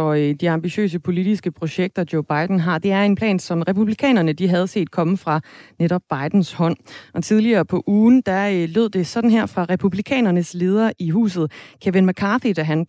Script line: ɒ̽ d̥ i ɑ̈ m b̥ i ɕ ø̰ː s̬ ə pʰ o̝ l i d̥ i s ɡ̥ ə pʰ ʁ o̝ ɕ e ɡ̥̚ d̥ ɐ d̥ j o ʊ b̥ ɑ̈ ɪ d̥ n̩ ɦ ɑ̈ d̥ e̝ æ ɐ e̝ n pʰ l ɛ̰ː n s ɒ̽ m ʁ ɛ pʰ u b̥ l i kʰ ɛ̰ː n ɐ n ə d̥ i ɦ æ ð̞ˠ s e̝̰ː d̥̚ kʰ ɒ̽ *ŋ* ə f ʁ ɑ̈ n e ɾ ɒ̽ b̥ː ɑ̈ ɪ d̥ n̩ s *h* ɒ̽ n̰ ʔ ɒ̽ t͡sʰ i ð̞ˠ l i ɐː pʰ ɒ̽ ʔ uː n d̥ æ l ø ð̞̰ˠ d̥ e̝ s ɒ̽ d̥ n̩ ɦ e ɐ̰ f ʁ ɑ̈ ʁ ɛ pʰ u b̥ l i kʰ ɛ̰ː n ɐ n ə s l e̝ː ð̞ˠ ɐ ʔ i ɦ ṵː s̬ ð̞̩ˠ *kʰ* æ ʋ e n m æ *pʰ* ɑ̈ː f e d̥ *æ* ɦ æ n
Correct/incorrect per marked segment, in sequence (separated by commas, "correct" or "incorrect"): incorrect, correct, correct, incorrect, correct